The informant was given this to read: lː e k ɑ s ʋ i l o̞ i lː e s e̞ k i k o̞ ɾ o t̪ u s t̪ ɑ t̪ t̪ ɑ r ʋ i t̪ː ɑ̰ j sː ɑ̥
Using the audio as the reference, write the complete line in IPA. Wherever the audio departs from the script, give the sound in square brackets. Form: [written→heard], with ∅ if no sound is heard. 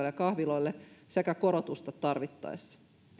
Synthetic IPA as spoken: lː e k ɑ [s→h] ʋ i l o̞ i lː e s e̞ k [i→æ] k o̞ ɾ o t̪ u s t̪ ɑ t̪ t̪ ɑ r ʋ i t̪ː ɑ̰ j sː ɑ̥